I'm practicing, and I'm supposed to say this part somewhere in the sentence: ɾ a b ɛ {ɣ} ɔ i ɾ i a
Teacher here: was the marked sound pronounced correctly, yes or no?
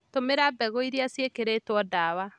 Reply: yes